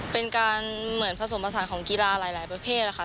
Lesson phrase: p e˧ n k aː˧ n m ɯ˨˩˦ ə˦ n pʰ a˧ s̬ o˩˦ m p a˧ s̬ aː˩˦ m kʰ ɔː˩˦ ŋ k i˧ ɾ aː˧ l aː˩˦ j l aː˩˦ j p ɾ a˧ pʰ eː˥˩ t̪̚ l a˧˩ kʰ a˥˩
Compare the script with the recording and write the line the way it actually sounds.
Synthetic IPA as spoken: p e˧ n k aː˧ n m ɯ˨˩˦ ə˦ n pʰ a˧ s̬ o˩˦ m p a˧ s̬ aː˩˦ n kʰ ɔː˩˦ ŋ k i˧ l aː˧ l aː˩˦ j l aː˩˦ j p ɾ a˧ pʰ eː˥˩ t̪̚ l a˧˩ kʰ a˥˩